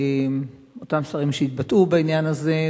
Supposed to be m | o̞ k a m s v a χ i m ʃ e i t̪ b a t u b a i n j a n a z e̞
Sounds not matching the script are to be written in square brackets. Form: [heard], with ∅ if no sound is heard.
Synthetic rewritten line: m | o̞ [t] a m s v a [ʁ] i m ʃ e i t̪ b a t u b a i n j a n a z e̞